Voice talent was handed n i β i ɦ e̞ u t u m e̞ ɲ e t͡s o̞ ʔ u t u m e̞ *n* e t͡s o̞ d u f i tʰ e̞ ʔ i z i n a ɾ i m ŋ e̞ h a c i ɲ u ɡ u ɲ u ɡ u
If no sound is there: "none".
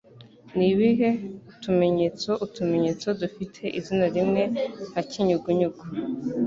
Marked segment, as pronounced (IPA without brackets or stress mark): ɲ